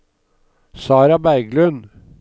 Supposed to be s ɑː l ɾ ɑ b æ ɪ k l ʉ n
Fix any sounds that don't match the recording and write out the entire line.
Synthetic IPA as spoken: s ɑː ɾ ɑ b æ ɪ ɡ l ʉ n

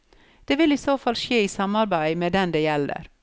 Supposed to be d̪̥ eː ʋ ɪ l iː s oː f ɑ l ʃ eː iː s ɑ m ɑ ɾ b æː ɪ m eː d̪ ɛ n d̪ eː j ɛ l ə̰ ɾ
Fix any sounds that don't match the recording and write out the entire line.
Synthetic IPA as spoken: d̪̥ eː ʋ ɪ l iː s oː f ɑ l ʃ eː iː s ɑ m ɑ ɾ b æ ɪ m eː d̪ ɛ n d̪ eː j ɛ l ə̰ ɾ

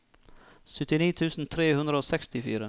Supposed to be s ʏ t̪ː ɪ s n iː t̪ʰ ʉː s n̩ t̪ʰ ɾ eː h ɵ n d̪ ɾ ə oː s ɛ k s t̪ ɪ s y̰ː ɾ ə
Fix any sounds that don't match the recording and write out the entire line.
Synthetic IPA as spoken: s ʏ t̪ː ɪ n iː t̪ʰ ʉː s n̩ t̪ʰ ɾ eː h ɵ n d̪ ɾ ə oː s ɛ k s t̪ ɪ f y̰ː ɾ ə

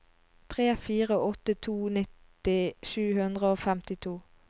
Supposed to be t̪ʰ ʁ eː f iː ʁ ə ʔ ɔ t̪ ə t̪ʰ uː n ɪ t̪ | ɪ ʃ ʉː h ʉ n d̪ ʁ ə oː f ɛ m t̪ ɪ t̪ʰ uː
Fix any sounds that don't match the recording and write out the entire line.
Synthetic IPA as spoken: t̪ʰ ʁ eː f iː ʁ ə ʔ ɔ t̪ ə t̪ʰ uː n ɪ t̪ | ɪ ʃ ʉː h ʉ n d̪ ʁ ə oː f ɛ m t̪ ɪ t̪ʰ uː

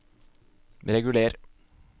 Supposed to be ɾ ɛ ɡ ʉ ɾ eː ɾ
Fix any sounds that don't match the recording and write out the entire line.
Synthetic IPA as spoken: ɾ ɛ ɡ ʉ l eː ɾ

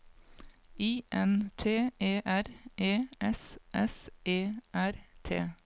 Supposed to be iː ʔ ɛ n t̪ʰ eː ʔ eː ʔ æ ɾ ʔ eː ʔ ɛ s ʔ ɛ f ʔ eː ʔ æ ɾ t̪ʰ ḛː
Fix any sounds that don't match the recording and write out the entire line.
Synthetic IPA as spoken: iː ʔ ɛ n t̪ʰ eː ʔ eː ʔ æ ɾ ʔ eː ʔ ɛ s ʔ ɛ s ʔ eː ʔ æ ɾ t̪ʰ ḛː

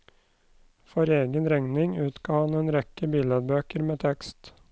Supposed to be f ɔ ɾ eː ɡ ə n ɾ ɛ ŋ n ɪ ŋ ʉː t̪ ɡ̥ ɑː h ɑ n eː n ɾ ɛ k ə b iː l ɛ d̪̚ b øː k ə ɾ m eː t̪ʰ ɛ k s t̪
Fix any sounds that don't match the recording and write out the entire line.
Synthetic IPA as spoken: f ɔ ɾ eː ɡ ə n ɾ ɛ ŋ n ɪ ŋ ʉː t̪ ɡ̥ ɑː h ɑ n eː n ɾ ɛ k ə b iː l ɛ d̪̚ b øː k ə ɾ m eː t̪ʰ ɛ k s t̪

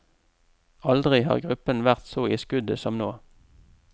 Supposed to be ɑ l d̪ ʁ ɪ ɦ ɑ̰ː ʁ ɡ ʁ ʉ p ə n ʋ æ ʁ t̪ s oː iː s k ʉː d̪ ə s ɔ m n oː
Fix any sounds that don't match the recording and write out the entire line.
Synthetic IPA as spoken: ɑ l d̪ ʁ ɪ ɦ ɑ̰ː ʁ ɡ ʁ ʉ p ə n ʋ æ ʁ t̪ s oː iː s k ʉ d̪ ə s ɔ m n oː

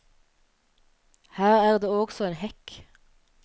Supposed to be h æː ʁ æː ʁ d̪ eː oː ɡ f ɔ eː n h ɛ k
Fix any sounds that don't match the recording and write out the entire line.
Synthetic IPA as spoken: h æː ʁ æː ʁ d̪ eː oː ɡ s ɔ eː n h ɛ k

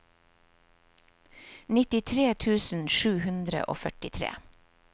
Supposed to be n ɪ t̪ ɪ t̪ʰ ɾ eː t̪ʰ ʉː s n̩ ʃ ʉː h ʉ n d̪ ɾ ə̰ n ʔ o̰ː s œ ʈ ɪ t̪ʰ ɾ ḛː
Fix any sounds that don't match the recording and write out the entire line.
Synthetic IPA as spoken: n ɪ t̪ ɪ t̪ʰ ɾ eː t̪ʰ ʉː s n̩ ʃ ʉː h ʉ n d̪ ɾ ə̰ ʔ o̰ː f œ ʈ ɪ t̪ʰ ɾ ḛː

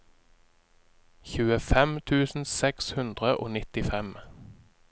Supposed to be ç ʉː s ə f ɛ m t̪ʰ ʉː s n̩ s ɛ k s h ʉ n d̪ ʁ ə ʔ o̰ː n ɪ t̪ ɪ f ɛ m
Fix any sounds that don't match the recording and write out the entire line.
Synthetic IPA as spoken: ç ʉː ə f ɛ m t̪ʰ ʉː s n̩ s ɛ k s h ʉ n d̪ ʁ ə ʔ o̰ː n ɪ t̪ ɪ f ɛ m

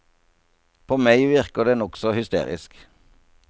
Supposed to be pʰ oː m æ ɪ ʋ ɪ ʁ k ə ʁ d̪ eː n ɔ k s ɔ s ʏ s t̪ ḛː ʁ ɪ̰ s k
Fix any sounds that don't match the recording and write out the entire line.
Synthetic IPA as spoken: pʰ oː m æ ɪ ʋ ɪ ʁ k ə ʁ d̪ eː n ɔ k s ɔ h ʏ s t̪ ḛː ʁ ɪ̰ s k

